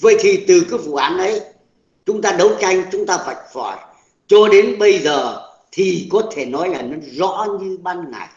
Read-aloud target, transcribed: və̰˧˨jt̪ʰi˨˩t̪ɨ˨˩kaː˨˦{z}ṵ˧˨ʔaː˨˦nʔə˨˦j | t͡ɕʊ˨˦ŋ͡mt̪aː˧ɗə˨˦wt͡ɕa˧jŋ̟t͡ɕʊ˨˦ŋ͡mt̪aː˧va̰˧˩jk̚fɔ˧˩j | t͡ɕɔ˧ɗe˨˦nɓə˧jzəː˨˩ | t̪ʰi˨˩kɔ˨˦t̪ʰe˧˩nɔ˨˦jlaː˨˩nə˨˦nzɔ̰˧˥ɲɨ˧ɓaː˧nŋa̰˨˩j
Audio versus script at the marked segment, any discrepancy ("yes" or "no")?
yes